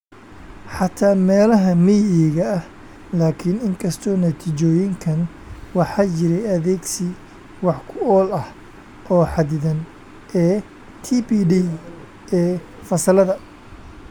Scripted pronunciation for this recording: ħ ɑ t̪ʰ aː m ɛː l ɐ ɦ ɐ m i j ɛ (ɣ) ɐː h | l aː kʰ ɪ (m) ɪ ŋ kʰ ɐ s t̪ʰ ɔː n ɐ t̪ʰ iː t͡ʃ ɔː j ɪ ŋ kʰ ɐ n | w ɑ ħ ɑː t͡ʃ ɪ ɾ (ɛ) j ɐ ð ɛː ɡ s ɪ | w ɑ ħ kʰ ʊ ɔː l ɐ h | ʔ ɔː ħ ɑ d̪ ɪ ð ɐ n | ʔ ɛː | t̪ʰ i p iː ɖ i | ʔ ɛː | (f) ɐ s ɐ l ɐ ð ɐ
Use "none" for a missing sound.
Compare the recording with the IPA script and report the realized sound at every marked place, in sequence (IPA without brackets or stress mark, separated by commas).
ɣ, n, ɛ, f